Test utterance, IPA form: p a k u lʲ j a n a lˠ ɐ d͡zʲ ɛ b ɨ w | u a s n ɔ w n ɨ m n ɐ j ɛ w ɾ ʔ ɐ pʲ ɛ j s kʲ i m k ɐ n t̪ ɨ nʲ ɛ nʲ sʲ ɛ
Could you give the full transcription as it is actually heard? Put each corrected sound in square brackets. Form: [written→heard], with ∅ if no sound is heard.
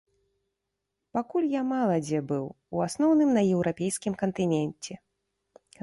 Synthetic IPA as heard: p a k u lʲ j a [n→m] a lˠ ɐ d͡zʲ ɛ b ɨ w | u a s n ɔ w n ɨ m n ɐ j ɛ w ɾ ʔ [ɐ→a] pʲ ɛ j s kʲ i m k ɐ n t̪ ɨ nʲ ɛ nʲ [sʲ→t͡sʲ] ɛ